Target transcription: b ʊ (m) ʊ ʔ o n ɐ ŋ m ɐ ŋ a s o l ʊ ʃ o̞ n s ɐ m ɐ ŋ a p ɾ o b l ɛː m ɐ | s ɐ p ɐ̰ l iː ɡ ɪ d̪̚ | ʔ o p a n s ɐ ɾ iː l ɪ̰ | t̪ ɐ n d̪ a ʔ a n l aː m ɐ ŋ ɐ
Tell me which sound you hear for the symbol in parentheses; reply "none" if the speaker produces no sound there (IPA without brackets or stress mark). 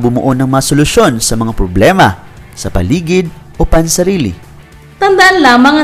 m